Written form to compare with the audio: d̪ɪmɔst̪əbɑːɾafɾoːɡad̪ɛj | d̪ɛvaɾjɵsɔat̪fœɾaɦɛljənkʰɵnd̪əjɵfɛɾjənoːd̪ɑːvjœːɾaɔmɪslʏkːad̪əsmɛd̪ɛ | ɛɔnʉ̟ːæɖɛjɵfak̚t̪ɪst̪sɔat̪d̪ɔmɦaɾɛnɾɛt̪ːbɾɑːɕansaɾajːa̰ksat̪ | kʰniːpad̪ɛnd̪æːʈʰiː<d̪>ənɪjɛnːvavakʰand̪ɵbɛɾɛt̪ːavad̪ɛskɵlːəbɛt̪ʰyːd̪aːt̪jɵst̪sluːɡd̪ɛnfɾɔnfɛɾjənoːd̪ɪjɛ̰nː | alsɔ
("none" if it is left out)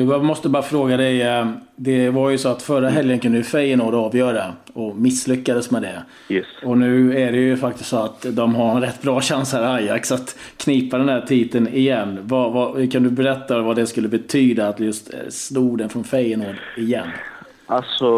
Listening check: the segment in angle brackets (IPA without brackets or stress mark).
t̪